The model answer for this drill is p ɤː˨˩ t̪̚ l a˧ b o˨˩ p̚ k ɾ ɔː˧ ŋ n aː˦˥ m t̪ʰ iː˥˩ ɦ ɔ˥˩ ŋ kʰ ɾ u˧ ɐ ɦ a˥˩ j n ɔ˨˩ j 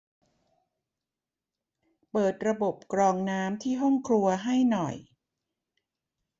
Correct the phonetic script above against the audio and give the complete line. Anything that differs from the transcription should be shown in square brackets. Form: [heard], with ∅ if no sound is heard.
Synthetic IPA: p ɤː˨˩ t̪̚ [ɾ] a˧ b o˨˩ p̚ k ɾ ɔː˧ ŋ n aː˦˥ m t̪ʰ iː˥˩ ɦ ɔ˥˩ ŋ kʰ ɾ u˧ ɐ ɦ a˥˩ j n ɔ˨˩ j